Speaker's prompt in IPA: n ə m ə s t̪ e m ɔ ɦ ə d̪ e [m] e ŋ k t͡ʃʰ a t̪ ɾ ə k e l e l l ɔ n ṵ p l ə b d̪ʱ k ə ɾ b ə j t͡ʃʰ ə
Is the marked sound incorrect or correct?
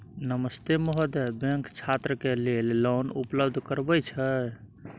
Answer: incorrect